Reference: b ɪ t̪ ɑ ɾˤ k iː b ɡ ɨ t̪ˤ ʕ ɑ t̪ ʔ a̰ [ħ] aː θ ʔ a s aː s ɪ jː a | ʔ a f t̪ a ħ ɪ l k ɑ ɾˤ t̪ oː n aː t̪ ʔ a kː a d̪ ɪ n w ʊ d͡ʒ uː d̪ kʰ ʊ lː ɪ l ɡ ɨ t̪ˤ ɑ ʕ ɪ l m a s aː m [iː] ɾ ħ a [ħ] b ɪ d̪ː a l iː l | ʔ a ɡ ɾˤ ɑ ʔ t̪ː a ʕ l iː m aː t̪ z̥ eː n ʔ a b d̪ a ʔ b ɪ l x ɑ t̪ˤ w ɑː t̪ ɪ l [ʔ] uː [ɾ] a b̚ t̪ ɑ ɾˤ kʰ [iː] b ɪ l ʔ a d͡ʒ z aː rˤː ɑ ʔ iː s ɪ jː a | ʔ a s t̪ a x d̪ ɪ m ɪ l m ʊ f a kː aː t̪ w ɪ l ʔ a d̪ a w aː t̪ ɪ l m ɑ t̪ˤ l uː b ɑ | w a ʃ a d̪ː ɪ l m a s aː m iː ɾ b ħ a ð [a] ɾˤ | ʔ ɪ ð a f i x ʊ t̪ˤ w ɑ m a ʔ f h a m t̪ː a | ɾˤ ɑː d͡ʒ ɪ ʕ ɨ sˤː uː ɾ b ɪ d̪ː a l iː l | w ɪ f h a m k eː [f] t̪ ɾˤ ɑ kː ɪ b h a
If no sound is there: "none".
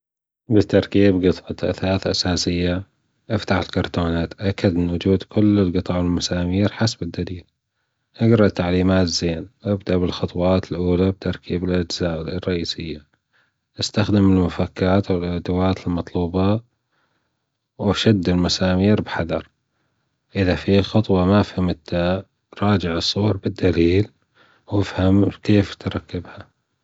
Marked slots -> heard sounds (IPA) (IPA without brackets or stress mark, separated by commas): θ, iː, s, ʔ, l, iː, ɑ, f